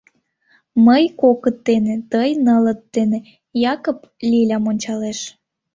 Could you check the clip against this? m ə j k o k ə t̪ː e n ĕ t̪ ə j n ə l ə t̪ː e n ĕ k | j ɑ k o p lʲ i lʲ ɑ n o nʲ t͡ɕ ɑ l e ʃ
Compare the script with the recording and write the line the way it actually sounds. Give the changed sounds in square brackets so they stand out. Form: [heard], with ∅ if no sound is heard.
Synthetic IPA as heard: m ə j k o k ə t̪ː e n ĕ t̪ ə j n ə l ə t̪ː e n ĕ [∅] | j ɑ k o p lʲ i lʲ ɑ [m] o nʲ t͡ɕ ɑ l e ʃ